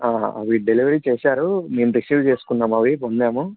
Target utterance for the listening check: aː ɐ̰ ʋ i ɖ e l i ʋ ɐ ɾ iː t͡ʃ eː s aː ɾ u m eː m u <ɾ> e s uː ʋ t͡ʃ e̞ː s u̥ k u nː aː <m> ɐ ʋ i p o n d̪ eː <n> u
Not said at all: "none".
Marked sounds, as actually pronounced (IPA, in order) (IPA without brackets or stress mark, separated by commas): ɾ, m, m